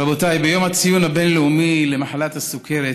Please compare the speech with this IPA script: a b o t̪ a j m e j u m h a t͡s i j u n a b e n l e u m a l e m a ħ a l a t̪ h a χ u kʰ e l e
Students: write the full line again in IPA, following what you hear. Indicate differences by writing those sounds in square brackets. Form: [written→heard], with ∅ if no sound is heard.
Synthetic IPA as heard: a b o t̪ a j [m→b] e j [u→o] m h a t͡s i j u n a b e n l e u m [a→i] l e m a ħ a l a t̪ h a [χ→s] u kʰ e [l→ɾ] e